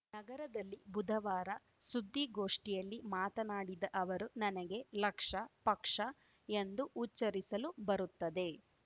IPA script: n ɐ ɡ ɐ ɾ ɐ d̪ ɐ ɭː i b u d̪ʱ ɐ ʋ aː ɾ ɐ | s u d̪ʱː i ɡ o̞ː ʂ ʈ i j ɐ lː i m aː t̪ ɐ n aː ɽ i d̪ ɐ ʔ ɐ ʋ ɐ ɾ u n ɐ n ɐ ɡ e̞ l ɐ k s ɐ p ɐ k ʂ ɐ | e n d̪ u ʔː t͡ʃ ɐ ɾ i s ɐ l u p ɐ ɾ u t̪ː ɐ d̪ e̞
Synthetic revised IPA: n ɐ ɡ ɐ ɾ ɐ d̪ ɐ lː i b u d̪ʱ ɐ ʋ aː ɾ ɐ | s u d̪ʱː i ɡ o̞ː ʂ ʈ i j ɐ lː i m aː t̪ ɐ n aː ɽ i d̪ ɐ ʔ ɐ ʋ ɐ ɾ u n ɐ n ɐ ɡ e̞ l ɐ k ʂ ɐ p ɐ k ʂ ɐ | e n d̪ u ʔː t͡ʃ ɐ ɾ i s ɐ l u b ɐ ɾ u t̪ː ɐ d̪ e̞